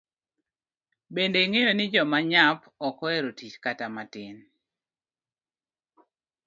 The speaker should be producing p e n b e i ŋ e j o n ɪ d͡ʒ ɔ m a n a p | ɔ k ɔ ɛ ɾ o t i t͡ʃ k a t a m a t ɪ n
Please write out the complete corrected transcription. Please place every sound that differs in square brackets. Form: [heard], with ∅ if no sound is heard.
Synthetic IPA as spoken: [b] e n [d] e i ŋ e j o n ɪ d͡ʒ ɔ m a [ɲ] a p | ɔ k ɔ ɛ ɾ o t i t͡ʃ k a t a m a t ɪ n